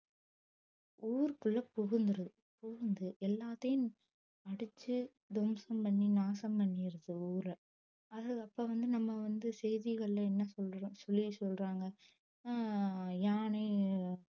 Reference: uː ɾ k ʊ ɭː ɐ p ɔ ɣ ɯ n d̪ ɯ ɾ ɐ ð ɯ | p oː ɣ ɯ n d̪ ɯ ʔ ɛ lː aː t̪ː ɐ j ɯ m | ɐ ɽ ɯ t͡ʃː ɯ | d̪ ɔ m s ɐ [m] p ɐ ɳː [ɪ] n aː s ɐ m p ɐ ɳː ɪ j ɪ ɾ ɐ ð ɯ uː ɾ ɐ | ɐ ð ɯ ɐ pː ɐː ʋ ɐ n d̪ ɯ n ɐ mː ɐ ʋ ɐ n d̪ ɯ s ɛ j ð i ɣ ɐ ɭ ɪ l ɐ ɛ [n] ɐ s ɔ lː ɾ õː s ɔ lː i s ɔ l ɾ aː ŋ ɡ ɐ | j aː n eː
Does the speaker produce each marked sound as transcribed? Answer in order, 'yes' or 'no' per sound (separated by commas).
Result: yes, no, no